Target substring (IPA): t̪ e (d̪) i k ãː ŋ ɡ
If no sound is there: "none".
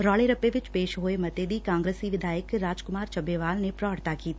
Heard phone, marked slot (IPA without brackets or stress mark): d̪